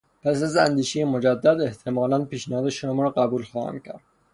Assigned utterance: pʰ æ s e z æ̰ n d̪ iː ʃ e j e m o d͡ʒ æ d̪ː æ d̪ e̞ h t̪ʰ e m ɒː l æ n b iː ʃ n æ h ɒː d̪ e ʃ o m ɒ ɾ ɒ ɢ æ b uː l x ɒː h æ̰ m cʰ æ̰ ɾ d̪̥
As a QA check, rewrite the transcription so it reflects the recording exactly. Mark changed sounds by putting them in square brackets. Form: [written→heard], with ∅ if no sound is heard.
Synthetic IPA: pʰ æ s [e→æ] z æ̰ n d̪ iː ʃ e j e m o d͡ʒ æ d̪ː æ d̪ e̞ h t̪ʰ e m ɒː l æ n [b→p] iː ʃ n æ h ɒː d̪ e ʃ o m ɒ ɾ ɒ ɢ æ b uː l x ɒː h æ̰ m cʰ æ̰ ɾ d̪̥